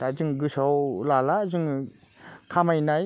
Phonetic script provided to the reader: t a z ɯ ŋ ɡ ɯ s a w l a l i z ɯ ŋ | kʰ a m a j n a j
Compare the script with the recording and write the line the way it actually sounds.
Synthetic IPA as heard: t a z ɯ ŋ ɡ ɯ s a w l a l a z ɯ ŋ | kʰ a m a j n a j